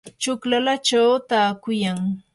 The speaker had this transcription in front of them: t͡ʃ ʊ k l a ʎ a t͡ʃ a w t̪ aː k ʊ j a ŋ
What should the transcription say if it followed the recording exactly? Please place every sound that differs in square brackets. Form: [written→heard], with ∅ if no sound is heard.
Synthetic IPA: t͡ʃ ʊ k l a [ʎ→l] a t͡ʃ a w t̪ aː k ʊ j a ŋ

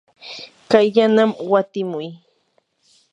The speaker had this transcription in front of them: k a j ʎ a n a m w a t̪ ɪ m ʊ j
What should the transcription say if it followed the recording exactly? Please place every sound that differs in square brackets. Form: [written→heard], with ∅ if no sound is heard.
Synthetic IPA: k a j ʎ a n a m w a t̪ ɪ m ʊ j

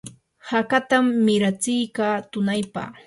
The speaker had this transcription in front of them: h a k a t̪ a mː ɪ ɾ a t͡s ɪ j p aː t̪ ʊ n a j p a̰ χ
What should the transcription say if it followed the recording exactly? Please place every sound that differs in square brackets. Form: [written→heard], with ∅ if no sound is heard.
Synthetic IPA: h a k a t̪ a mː ɪ ɾ a t͡s ɪ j [p→k] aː t̪ ʊ n a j p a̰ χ

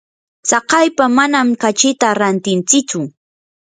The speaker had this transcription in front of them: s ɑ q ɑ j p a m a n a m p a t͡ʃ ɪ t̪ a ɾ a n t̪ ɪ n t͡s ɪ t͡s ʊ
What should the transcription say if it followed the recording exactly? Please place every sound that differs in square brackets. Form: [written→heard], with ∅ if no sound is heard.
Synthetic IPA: s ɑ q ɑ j p a m a n a m [p→k] a t͡ʃ ɪ t̪ a ɾ a n t̪ ɪ n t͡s ɪ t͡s ʊ

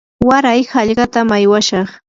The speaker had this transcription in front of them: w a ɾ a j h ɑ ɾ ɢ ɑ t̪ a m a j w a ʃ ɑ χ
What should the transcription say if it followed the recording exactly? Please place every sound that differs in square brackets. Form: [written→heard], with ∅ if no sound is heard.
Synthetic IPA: w a ɾ a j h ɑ [ɾ→ʎ] ɢ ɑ t̪ a m a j w a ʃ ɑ χ

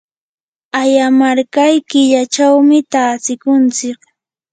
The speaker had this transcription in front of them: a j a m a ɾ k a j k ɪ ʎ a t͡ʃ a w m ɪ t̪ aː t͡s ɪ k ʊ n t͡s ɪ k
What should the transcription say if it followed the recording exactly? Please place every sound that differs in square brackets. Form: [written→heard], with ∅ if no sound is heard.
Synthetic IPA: a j a m a ɾ k a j k ɪ ʎ a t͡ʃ a w m ɪ t̪ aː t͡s ɪ k ʊ n t͡s ɪ k

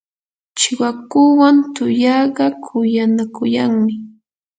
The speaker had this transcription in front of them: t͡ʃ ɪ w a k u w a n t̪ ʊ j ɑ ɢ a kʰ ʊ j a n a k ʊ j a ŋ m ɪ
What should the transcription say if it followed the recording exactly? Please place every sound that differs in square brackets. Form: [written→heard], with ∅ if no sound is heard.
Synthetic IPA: t͡ʃ ɪ w a k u w a n t̪ ʊ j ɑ ɢ [a→ɑ] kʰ ʊ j a n a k ʊ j a ŋ m ɪ

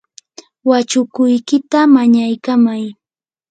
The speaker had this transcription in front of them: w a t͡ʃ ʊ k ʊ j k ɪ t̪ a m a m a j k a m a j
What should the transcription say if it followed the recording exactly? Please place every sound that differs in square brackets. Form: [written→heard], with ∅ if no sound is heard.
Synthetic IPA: w a t͡ʃ ʊ k ʊ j k ɪ t̪ a m a [m→ɲ] a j k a m a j

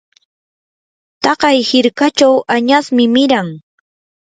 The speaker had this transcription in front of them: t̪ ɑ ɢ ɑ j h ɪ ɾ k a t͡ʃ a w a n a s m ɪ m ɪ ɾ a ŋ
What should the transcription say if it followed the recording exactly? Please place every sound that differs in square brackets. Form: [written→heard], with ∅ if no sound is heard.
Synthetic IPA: t̪ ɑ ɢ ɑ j h ɪ ɾ k a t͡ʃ a w a [n→ɲ] a s m ɪ m ɪ ɾ a ŋ

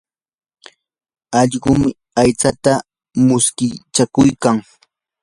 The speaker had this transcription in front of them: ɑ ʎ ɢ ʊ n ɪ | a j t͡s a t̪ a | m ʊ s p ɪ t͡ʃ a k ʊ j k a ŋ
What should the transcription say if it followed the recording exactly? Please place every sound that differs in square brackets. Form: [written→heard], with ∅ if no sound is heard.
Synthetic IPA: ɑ ʎ ɢ ʊ [n→m] ɪ | a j t͡s a t̪ a | m ʊ s [p→k] ɪ t͡ʃ a k ʊ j k a ŋ

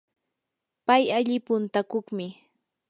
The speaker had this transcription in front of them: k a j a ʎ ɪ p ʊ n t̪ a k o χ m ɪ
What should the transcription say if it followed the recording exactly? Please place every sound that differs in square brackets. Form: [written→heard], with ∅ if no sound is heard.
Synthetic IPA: [k→p] a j a ʎ ɪ p ʊ n t̪ a k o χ m ɪ

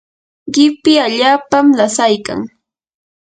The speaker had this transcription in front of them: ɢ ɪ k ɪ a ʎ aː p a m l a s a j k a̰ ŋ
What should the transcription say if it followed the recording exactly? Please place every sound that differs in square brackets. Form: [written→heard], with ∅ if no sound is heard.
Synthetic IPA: ɢ ɪ [k→p] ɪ a ʎ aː p a m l a s a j k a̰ ŋ

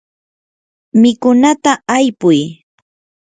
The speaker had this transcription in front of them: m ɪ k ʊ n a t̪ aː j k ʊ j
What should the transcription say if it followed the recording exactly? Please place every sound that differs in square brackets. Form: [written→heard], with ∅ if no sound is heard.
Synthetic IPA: m ɪ k ʊ n a t̪ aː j [k→p] ʊ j

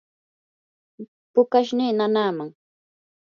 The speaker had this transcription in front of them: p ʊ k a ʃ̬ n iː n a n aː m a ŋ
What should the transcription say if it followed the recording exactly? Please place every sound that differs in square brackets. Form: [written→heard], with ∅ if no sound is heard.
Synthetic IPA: p ʊ k a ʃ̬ n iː n a n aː m a ŋ

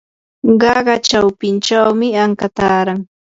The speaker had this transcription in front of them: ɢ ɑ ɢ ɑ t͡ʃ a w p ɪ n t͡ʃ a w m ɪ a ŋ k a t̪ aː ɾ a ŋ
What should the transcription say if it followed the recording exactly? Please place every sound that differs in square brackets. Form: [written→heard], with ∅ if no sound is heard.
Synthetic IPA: ɢ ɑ ɢ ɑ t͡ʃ a w p ɪ n t͡ʃ a w m ɪ a ŋ k a t̪ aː ɾ a ŋ

